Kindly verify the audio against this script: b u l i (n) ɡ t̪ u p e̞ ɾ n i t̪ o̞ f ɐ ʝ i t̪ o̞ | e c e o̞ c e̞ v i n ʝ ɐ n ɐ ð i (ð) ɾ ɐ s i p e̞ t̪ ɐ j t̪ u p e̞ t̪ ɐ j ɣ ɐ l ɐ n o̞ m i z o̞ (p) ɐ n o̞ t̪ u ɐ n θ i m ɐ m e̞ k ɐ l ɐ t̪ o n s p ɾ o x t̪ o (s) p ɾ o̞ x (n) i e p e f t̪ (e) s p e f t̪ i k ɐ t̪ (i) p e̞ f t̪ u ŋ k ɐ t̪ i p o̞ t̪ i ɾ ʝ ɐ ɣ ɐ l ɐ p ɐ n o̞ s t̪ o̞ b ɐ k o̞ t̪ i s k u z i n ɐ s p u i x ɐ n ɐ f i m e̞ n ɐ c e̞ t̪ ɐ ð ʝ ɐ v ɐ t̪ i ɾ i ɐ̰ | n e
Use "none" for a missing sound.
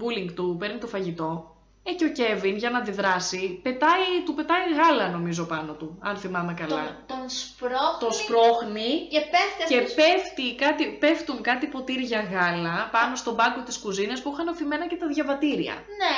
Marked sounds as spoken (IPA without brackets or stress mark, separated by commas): ŋ, ð, p, s, n, e, i